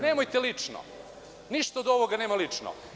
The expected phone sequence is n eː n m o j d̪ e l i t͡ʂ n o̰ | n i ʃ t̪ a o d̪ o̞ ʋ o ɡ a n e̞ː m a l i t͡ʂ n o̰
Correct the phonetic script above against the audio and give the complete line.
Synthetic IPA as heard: n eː m o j t̪ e l i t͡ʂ n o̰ | n i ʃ t̪ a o d̪ o̞ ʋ o ɡ a n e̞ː m a l i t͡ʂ n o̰